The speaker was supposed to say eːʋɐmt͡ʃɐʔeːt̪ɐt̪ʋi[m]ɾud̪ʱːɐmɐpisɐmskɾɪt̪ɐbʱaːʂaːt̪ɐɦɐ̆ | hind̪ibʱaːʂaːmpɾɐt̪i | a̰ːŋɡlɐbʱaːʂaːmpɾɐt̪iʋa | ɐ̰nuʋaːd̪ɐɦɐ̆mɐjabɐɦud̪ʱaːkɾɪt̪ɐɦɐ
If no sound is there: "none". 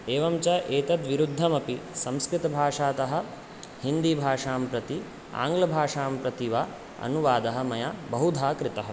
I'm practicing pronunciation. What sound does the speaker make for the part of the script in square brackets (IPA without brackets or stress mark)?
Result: none